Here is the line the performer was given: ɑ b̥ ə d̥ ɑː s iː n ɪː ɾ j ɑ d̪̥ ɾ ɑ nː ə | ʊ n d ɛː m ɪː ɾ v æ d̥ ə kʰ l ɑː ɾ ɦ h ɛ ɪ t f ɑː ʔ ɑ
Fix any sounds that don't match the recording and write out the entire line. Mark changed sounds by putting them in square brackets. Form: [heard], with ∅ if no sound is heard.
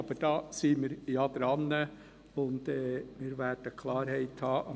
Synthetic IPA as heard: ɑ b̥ ə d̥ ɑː s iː [m] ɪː ɾ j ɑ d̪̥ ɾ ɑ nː ə | ʊ n d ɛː m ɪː ɾ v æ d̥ ə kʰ l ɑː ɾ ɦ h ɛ ɪ t [h] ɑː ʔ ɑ